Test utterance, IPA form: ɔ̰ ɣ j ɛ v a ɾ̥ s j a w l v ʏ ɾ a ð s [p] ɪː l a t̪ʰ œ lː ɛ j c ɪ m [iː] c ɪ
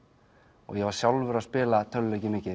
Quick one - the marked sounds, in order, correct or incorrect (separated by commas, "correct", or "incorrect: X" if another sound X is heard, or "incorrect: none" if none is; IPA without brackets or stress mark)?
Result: correct, incorrect: ɪː